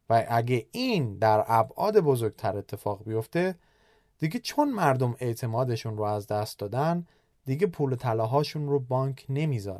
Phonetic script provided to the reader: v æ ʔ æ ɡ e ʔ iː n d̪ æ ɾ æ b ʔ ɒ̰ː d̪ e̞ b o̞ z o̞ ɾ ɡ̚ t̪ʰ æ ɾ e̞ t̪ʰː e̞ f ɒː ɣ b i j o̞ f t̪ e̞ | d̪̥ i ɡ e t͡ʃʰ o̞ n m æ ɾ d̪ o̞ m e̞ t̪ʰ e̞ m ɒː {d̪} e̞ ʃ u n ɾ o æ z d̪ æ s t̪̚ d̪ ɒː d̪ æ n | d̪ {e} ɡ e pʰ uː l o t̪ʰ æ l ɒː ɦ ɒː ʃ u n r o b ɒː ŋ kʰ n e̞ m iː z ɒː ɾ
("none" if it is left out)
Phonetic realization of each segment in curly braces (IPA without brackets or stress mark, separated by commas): d̪, i